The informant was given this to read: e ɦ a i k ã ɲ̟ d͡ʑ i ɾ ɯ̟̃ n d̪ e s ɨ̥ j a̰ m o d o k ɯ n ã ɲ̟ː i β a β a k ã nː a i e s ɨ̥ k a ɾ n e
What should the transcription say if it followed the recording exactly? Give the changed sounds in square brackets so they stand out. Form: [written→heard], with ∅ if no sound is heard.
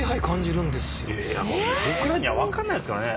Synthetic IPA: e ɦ a i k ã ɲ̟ d͡ʑ i ɾ ɯ̟̃ n d̪ e s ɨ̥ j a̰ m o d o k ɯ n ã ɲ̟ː i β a β a k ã nː a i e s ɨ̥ k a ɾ n e